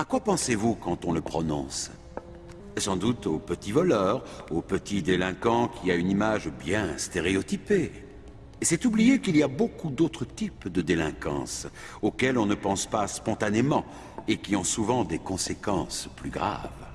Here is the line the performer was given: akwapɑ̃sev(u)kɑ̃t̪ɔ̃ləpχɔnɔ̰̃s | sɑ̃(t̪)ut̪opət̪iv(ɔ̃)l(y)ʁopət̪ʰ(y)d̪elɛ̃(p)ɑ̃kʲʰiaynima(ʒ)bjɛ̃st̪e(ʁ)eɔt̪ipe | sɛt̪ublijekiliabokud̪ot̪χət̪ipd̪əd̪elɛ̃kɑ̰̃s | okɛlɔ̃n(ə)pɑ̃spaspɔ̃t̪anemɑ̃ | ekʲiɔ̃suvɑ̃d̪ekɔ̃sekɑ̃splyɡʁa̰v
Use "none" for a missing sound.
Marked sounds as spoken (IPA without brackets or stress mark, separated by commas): u, d̪, ɔ, œ, i, k, ʒ, ʁ, ə